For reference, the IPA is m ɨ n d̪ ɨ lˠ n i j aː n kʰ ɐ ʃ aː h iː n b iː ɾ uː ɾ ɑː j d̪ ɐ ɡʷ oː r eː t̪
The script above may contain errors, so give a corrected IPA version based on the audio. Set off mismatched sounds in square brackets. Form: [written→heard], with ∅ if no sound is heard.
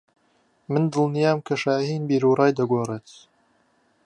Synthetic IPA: m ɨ n d̪ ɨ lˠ n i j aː [n→m] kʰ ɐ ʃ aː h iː n b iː ɾ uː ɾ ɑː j d̪ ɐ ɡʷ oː r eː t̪